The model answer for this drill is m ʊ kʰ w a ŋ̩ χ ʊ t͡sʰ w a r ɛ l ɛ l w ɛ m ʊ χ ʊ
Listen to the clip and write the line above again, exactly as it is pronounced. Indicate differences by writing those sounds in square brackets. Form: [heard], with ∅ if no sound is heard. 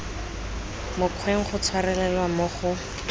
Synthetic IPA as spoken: m ʊ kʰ w [e] ŋ̩ χ ʊ t͡sʰ w a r ɛ l ɛ l w [a] m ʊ χ ʊ